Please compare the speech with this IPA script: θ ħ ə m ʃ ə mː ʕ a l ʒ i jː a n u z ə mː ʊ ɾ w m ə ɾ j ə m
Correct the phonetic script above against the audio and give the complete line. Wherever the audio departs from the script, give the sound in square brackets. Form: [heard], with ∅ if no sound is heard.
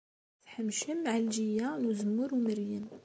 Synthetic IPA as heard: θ ħ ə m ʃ ə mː ʕ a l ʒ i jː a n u z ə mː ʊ ɾ w m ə ɾ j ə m